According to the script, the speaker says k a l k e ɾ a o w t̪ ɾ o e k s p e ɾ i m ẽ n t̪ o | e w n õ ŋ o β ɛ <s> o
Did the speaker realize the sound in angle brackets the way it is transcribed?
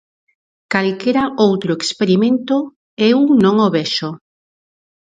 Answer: no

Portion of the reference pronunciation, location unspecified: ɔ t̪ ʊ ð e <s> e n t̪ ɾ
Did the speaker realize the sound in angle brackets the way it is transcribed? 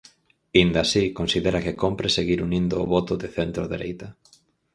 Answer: no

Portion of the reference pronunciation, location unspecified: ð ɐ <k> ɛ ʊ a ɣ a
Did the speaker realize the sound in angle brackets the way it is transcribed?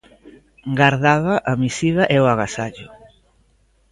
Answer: no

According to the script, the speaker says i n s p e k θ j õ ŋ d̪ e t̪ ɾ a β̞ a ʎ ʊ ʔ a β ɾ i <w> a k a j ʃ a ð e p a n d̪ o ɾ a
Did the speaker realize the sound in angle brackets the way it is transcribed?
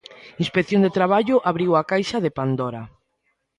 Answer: yes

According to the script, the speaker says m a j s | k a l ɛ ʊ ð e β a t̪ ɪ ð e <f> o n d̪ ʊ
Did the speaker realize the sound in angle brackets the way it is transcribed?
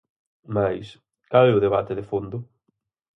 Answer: yes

